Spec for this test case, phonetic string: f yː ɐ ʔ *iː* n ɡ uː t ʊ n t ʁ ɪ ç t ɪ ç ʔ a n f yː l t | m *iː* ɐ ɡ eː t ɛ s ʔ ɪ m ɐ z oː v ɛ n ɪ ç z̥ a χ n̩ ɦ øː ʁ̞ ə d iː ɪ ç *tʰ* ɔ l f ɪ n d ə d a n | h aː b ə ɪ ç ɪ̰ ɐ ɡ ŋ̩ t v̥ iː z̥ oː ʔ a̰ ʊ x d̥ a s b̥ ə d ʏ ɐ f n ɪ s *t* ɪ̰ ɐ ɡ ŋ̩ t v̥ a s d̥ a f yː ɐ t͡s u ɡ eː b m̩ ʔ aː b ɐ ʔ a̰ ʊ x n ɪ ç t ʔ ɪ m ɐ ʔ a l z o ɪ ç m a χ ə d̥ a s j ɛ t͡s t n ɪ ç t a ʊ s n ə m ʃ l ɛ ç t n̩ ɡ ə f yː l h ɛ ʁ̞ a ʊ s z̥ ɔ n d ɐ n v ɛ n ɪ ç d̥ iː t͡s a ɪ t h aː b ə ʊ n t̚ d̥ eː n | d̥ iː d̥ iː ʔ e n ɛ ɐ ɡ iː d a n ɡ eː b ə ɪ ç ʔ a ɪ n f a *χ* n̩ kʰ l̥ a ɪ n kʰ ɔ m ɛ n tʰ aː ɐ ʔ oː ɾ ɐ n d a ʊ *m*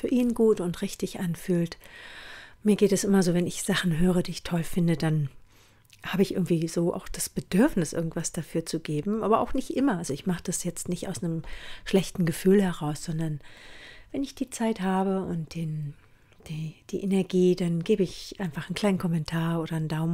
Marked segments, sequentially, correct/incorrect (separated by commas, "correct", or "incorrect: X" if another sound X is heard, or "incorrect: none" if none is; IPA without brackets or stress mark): correct, correct, correct, incorrect: ʔ, correct, correct